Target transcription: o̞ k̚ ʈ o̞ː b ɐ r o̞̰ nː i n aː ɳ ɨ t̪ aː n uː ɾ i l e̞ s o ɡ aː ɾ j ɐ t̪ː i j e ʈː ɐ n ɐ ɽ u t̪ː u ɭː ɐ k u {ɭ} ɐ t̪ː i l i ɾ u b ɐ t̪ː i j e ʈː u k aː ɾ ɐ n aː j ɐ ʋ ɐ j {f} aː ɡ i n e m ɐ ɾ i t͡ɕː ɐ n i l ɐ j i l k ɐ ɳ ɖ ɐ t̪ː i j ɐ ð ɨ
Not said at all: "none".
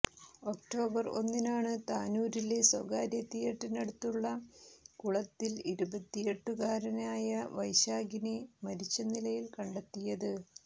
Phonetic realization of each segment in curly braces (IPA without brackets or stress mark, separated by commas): ɭ, ɕ